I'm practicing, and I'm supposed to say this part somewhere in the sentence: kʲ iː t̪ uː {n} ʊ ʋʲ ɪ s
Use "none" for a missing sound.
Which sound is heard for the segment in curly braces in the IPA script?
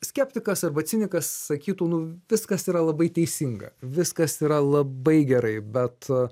n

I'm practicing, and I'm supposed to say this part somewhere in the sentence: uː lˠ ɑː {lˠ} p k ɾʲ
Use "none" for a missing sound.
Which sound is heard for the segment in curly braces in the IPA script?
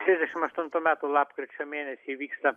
none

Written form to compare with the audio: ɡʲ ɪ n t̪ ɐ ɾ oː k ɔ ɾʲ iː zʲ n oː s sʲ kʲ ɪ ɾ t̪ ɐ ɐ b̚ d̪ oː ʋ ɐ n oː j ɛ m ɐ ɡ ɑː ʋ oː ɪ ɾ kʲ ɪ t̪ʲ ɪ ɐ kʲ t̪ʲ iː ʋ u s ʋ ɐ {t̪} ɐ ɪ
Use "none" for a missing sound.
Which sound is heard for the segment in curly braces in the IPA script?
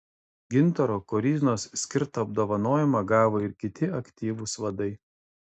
d̪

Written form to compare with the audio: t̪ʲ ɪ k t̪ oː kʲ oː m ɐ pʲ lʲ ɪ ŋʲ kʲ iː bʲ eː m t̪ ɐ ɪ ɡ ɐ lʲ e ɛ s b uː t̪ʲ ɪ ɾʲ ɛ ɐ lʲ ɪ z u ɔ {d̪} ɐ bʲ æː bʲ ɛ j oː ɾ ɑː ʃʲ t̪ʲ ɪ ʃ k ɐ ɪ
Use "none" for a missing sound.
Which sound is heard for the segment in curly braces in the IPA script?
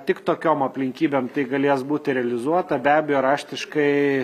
t̪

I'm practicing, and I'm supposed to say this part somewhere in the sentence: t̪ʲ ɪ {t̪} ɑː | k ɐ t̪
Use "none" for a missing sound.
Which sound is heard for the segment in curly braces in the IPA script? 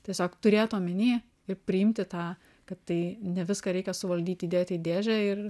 t̪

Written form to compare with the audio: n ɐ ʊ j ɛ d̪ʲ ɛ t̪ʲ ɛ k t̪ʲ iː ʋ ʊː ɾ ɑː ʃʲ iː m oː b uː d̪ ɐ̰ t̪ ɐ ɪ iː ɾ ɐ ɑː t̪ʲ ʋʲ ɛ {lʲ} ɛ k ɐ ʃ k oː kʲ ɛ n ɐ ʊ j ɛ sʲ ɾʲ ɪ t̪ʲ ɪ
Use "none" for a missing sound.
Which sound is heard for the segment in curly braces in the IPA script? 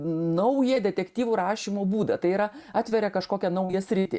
ɾʲ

